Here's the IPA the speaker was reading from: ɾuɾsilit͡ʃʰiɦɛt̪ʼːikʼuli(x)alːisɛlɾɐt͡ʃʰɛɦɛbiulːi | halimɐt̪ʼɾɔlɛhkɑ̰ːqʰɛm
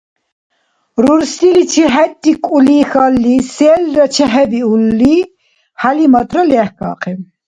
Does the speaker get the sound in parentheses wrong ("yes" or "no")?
no